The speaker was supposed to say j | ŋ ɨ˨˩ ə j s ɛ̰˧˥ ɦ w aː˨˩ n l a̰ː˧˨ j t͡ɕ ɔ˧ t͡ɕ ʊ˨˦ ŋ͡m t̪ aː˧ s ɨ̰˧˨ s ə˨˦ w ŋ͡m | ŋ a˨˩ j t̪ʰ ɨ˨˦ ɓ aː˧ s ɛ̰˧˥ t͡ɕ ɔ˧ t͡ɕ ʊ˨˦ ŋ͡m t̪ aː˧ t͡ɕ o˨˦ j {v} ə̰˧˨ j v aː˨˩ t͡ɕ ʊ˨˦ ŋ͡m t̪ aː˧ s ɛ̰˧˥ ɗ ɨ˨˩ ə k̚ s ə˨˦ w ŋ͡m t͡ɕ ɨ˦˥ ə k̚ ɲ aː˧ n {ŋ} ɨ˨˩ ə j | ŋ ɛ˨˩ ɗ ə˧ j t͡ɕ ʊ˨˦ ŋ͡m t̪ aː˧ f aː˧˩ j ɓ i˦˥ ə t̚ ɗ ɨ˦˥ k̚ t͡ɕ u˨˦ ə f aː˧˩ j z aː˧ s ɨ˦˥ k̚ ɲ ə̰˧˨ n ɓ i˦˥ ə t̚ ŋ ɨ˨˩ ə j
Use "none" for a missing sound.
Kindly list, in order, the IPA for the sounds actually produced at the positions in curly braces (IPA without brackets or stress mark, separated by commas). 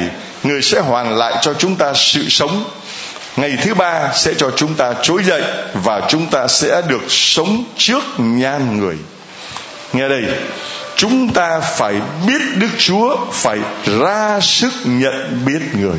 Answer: z, ŋ